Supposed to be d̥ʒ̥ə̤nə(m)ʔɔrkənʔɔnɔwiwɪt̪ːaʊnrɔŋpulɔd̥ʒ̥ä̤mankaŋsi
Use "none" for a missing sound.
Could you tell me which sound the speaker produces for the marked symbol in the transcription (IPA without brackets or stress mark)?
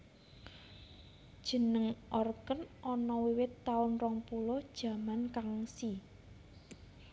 ŋ